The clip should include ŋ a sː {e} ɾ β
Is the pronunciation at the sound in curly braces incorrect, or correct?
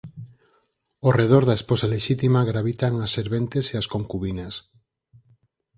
correct